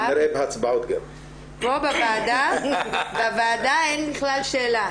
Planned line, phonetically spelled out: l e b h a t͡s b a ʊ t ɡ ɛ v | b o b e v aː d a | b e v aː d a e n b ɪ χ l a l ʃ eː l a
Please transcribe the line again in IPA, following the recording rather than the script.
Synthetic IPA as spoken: ɾ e b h a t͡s b a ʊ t ɡ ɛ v | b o b a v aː d a | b a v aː d a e n b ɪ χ l a l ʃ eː l a